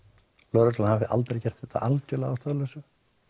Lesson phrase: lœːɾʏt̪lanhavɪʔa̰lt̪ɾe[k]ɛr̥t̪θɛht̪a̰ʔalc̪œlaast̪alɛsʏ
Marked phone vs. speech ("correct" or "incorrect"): incorrect